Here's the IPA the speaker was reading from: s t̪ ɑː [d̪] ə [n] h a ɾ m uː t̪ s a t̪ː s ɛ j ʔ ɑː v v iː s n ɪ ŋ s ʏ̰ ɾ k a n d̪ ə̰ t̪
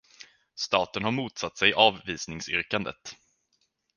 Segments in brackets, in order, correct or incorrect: incorrect: t̪, correct

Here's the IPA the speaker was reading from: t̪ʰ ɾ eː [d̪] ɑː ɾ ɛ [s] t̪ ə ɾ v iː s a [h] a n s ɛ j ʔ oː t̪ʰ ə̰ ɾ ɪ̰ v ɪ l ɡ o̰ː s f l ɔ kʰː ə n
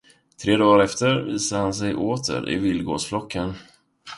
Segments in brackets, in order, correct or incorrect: correct, incorrect: f, correct

